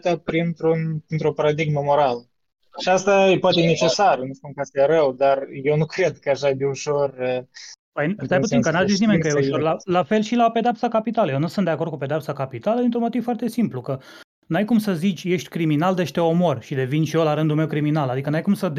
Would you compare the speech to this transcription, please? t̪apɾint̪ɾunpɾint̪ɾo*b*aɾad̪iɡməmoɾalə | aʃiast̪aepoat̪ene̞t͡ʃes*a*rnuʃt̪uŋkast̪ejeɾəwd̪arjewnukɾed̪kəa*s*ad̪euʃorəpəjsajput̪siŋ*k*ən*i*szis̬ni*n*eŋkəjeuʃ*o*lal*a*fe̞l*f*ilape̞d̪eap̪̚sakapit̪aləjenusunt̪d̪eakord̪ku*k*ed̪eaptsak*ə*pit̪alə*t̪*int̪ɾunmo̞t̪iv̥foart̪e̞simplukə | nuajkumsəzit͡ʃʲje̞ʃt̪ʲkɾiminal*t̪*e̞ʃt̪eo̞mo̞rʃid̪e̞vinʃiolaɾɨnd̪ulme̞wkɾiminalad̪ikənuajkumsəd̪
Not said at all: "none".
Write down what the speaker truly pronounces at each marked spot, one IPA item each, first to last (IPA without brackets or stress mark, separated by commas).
p, a, ʃ, k, a, m, o, a, ʃ, p, a, d̪, d̪